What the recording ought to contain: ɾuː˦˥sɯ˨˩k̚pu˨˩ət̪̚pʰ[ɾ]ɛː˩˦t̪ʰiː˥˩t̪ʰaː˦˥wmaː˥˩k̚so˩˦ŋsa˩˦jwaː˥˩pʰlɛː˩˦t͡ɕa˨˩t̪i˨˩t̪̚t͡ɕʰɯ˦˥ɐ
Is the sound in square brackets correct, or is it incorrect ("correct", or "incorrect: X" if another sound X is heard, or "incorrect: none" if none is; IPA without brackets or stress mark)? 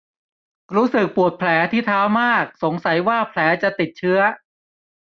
incorrect: l